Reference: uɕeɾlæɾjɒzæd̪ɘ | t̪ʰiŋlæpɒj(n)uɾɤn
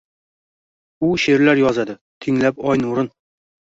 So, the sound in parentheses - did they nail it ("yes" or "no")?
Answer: yes